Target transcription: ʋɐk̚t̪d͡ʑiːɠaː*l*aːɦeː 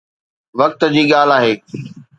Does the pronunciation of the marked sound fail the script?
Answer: no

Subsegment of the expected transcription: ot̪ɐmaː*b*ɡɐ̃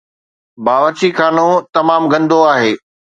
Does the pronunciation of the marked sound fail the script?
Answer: yes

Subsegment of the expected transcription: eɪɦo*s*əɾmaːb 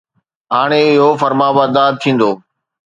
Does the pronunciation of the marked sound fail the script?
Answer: yes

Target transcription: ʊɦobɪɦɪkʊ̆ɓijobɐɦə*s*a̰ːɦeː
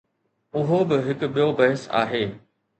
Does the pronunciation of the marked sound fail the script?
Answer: no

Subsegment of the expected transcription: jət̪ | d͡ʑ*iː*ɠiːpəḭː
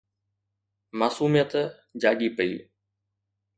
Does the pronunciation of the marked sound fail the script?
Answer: yes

